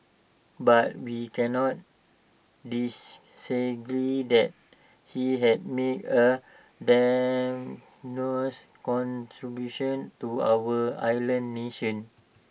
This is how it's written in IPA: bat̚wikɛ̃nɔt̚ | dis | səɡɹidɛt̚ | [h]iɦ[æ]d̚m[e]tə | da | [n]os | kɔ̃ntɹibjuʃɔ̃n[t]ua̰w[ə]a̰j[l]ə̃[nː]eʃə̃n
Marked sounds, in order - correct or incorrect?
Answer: correct, incorrect: ɛ, correct, correct, correct, correct, correct, correct

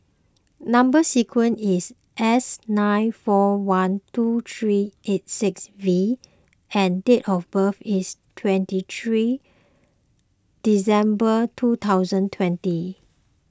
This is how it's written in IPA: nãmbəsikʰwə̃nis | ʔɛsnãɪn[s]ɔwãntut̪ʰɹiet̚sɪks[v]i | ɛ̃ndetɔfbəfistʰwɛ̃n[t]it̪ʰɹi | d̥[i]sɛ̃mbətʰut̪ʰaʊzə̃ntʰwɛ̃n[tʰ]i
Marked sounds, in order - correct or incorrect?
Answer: incorrect: f, correct, correct, correct, incorrect: t

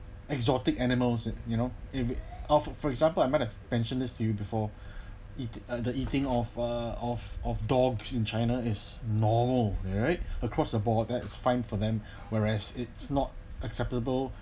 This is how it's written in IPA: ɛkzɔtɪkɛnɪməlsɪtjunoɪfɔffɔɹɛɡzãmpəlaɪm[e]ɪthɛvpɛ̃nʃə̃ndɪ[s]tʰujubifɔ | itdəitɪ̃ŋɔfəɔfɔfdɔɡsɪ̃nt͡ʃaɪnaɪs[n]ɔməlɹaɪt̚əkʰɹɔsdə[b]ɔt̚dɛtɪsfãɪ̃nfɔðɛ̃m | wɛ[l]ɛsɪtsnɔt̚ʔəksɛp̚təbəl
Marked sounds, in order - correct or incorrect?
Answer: incorrect: a, correct, correct, correct, incorrect: ɹ

